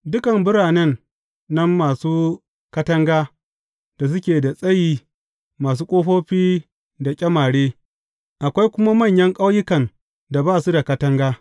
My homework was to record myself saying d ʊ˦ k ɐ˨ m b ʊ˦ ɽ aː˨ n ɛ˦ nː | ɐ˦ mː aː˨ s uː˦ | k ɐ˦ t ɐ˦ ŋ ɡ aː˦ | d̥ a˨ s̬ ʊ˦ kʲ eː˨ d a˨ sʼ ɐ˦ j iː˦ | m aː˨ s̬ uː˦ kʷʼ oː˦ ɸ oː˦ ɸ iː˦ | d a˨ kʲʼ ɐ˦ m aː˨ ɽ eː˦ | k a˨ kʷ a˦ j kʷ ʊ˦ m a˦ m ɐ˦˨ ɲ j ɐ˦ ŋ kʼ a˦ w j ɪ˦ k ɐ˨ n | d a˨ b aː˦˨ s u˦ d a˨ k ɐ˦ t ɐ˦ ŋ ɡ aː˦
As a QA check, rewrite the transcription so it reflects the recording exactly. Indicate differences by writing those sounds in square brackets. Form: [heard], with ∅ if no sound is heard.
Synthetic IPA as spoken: d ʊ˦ k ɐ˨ m b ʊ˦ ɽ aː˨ n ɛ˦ nː | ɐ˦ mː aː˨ s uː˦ | k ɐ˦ t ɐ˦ ŋ ɡ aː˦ | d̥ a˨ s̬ ʊ˦ kʲ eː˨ d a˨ sʼ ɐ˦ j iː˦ | m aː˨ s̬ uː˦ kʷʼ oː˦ ɸ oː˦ ɸ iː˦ | d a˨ kʲʼ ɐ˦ m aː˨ ɽ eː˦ | [ʔ] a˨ kʷ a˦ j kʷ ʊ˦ m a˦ m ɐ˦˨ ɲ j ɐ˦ ŋ kʼ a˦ w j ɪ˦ k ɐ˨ n | d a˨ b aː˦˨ s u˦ d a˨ k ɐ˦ t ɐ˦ ŋ ɡ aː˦